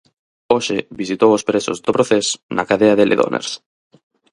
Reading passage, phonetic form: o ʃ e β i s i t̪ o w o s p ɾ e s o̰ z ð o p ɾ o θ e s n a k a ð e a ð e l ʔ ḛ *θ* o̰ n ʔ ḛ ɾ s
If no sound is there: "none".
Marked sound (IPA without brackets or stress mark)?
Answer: ð